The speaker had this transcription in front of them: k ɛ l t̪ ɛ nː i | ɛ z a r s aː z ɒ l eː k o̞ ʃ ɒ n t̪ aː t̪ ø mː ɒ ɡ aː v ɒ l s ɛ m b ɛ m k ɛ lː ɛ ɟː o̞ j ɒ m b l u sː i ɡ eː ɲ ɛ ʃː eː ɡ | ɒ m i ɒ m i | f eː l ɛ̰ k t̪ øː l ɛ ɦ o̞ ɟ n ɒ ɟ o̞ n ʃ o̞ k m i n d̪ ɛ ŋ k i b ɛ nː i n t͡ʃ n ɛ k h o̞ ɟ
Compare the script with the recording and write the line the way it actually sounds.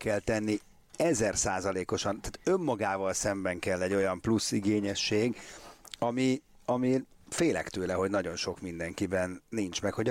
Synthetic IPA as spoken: k ɛ l t̪ ɛ nː i | ɛ z ɛ r s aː z ɒ l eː k o̞ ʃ ɒ n t̪ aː t̪ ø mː ɒ ɡ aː v ɒ l s ɛ m b ɛ ŋ k ɛ lː ɛ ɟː o̞ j ɒ m p l u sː i ɡ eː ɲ ɛ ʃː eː ɡ | ɒ m i ɒ m i | f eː l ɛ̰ k t̪ øː l ɛ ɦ o̞ ɟ n ɒ ɟ o̞ n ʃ o̞ k m i n d̪ ɛ ŋ k i b ɛ nː i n t͡ʃ m ɛ k h o̞ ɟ